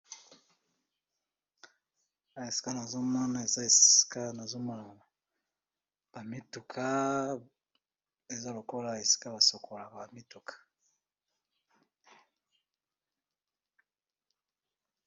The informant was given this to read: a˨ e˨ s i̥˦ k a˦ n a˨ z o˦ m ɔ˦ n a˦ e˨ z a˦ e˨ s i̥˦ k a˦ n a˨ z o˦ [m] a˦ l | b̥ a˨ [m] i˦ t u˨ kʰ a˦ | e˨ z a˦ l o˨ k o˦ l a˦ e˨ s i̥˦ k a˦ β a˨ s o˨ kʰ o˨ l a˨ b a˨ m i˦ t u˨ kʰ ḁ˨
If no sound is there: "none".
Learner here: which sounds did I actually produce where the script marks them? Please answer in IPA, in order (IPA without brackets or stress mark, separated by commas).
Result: m, m